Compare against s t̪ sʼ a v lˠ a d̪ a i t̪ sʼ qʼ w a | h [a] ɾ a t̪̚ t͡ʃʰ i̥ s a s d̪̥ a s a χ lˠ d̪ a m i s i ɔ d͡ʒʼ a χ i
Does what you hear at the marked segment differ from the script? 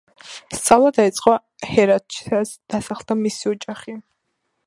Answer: yes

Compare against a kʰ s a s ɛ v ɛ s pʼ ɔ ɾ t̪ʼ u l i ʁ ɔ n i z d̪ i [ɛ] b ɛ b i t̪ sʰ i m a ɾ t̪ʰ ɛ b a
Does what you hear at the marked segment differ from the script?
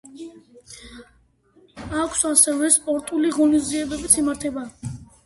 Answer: no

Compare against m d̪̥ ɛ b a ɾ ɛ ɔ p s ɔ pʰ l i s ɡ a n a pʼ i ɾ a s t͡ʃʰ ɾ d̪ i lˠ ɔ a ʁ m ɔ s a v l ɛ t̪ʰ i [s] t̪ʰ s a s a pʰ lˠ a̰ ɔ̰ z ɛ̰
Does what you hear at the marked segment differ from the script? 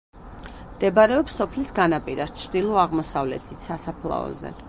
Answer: yes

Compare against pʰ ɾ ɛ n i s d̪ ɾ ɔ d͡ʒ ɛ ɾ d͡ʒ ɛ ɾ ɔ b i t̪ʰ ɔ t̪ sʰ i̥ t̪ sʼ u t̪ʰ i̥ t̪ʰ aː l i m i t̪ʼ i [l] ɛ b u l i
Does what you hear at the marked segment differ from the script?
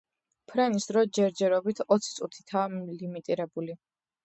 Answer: yes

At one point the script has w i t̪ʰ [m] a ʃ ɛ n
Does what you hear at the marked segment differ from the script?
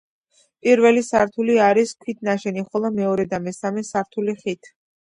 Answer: yes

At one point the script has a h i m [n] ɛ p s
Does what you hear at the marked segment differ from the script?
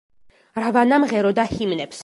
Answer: no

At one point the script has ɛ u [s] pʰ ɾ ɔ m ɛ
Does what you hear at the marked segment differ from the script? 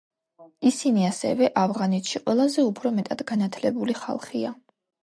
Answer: yes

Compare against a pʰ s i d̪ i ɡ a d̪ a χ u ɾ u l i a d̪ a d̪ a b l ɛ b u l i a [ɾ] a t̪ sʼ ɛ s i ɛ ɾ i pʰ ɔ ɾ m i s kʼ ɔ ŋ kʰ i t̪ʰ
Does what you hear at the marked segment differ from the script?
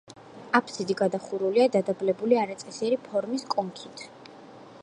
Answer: no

